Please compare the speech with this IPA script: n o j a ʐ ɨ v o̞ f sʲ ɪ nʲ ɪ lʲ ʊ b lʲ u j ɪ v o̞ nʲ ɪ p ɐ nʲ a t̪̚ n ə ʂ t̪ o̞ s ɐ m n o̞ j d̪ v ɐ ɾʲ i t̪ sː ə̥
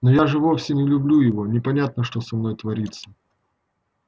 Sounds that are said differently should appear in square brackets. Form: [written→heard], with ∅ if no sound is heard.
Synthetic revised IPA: n o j a ʐ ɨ v o̞ f sʲ ɪ nʲ ɪ lʲ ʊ b lʲ u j ɪ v o̞ nʲ ɪ p ɐ nʲ a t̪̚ n ə ʂ t̪ o̞ s ɐ m n o̞ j [d̪→t̪] v ɐ ɾʲ i t̪ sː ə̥